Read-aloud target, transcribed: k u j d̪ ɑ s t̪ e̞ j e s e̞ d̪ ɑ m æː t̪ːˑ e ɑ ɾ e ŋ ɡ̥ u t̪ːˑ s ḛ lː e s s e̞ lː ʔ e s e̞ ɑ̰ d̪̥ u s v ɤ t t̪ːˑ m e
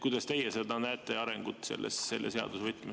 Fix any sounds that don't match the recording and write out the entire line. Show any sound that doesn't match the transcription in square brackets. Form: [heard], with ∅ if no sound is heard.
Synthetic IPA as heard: k u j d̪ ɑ s t̪ e̞ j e s e̞ d̪ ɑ [n] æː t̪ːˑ e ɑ ɾ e ŋ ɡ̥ u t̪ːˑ s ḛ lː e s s e̞ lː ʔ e s e̞ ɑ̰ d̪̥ u s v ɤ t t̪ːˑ m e

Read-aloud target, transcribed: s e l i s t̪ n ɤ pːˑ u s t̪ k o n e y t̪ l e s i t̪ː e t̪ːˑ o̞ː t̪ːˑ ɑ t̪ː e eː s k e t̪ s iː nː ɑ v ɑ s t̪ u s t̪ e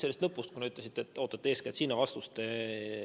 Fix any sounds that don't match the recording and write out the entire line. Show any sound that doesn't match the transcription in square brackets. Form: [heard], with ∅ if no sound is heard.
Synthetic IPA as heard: s e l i s t̪ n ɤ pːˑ u s t̪ k [u] n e y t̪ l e s i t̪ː e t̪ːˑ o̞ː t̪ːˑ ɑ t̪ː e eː s k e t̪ s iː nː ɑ v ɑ s t̪ u s t̪ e

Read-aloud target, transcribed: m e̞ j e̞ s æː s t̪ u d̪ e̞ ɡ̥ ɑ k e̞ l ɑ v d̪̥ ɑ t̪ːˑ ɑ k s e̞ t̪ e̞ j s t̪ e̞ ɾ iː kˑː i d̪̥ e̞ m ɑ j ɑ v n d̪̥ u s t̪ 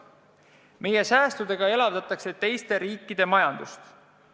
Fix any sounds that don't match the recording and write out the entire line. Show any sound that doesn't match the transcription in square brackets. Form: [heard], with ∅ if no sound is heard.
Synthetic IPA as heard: m e̞ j e̞ s æː s t̪ u d̪ e̞ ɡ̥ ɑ [∅] e̞ l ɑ v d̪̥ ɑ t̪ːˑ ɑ k s e̞ t̪ e̞ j s t̪ e̞ ɾ iː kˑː i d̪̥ e̞ m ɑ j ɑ [∅] n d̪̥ u s t̪

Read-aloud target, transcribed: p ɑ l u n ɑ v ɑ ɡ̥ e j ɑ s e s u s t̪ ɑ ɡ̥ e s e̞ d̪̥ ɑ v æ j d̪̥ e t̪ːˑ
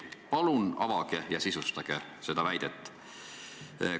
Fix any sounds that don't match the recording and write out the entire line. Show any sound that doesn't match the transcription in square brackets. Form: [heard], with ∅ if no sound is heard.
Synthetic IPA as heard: p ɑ l u n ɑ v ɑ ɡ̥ e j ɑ s [i] s u s t̪ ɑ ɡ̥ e s e̞ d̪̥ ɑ v æ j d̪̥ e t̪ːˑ

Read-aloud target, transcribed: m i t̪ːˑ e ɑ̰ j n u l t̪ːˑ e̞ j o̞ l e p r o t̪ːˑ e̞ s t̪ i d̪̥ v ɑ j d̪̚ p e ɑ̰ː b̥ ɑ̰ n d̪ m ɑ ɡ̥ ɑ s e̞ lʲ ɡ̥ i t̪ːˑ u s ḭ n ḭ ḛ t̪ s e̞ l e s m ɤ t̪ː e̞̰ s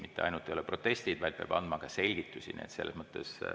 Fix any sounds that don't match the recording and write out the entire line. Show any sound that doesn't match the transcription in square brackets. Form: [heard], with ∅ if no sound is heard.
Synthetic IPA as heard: m i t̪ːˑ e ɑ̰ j n u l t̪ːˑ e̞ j o̞ l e p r o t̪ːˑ e̞ s t̪ i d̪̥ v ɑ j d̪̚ p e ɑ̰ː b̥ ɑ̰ n d̪ m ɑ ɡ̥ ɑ s e̞ lʲ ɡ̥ i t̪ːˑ u s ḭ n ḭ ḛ t̪ s e̞ [lː] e s m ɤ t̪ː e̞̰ s

